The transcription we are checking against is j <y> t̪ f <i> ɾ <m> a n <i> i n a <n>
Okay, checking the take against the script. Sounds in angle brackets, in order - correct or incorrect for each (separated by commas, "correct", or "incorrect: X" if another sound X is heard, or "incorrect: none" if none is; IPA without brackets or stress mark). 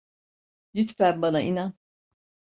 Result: correct, incorrect: æ, incorrect: b, incorrect: a, correct